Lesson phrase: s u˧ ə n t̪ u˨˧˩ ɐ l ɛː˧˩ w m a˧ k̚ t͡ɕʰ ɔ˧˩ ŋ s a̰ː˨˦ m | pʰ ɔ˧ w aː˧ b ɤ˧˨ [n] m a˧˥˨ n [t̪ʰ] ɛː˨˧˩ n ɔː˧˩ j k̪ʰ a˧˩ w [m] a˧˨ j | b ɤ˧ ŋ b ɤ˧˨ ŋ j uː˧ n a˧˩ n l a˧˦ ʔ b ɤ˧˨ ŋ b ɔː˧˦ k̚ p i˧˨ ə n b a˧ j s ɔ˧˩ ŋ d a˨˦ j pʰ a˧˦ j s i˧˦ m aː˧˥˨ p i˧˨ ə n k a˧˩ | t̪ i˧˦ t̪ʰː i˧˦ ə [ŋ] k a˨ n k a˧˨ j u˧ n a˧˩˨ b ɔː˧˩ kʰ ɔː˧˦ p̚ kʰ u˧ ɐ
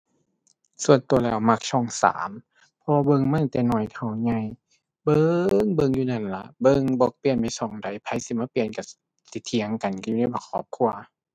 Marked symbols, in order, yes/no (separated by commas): no, no, no, yes